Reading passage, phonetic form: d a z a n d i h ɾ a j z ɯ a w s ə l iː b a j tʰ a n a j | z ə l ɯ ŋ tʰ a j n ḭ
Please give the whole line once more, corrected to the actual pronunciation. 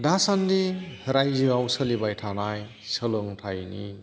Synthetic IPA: d a s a n d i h ɾ a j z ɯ a w s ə l i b a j tʰ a n a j | s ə l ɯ ŋ tʰ a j n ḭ